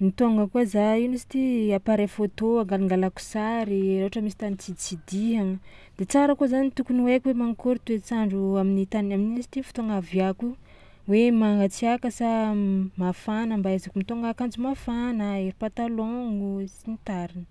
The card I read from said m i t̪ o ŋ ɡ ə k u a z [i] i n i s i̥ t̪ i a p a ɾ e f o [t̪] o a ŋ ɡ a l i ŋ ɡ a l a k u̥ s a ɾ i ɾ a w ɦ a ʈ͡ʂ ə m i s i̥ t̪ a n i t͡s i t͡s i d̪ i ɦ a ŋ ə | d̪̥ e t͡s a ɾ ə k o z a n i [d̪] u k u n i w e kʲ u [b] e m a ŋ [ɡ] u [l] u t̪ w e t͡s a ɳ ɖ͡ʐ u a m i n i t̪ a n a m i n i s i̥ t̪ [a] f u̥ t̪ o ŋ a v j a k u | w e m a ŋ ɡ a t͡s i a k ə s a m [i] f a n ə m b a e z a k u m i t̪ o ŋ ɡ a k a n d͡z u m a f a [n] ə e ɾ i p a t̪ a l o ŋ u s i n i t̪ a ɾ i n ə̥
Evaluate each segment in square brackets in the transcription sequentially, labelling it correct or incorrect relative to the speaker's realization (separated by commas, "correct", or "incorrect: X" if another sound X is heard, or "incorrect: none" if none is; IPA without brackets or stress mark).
incorrect: a, correct, incorrect: t̪, incorrect: w, incorrect: k, incorrect: ɾ, incorrect: i, incorrect: a, correct